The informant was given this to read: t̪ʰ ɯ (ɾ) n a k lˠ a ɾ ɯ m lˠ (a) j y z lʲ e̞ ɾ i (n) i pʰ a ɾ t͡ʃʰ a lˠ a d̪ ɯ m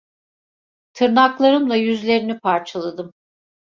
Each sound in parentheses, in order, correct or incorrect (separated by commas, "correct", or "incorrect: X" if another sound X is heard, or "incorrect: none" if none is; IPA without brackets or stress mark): correct, correct, correct